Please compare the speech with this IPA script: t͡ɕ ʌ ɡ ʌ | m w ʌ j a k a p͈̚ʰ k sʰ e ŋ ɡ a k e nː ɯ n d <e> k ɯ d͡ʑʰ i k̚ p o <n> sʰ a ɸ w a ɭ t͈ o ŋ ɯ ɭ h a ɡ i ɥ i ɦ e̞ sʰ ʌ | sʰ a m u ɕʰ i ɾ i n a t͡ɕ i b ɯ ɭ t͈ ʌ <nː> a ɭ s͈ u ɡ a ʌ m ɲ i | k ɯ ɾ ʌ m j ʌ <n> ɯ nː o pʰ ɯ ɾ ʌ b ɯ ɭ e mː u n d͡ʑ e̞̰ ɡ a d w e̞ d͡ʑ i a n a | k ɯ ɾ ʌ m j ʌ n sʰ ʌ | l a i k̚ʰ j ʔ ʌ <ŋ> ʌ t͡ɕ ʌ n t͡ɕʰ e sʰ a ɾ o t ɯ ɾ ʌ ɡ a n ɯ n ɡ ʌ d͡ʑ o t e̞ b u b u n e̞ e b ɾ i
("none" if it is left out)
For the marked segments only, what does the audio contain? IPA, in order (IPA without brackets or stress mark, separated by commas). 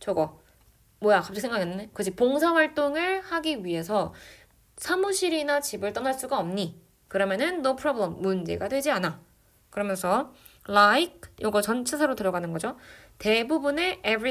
e, ŋ, n, n, ɡ